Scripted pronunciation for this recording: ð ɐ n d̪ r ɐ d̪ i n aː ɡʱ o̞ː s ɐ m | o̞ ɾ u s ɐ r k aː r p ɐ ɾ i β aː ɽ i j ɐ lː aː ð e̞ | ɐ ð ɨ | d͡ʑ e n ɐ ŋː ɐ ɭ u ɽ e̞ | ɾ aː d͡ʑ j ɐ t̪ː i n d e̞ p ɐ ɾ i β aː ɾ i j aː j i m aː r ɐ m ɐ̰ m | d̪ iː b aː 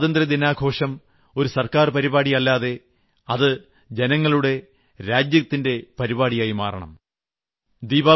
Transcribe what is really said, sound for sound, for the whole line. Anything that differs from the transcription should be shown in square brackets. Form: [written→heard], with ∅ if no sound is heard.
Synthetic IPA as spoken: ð ɐ n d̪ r ɐ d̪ i n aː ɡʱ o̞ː [s→ʂ] ɐ m | o̞ ɾ u s ɐ r k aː r p ɐ ɾ i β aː ɽ i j ɐ lː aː ð e̞ | ɐ ð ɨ | d͡ʑ e n ɐ ŋː ɐ ɭ u ɽ e̞ | ɾ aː d͡ʑ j ɐ t̪ː i n d e̞ p ɐ ɾ i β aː [ɾ→ɽ] i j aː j i m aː r ɐ [m→ɳ] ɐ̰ m | d̪ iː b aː